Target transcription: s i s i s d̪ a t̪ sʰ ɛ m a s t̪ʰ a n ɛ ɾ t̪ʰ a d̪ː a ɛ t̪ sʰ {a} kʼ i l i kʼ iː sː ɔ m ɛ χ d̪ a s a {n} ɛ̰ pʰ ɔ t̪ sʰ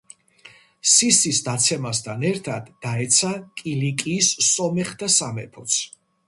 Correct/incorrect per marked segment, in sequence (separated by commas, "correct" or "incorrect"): correct, incorrect